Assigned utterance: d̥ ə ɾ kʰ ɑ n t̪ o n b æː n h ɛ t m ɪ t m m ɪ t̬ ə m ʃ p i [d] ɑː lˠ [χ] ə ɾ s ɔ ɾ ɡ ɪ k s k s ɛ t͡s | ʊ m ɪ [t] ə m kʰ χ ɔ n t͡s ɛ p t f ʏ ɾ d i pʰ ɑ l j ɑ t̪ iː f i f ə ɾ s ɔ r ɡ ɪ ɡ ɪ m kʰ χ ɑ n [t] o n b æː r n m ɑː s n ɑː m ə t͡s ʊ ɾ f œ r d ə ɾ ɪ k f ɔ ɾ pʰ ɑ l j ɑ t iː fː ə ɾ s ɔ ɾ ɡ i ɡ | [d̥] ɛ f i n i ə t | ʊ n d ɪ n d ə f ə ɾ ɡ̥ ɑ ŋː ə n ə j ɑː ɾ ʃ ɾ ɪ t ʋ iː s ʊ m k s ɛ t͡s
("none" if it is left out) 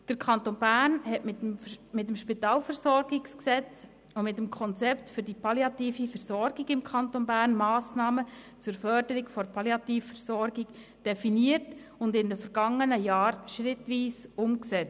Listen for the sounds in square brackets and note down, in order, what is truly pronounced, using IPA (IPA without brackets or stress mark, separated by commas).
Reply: t, f, t, t, d̥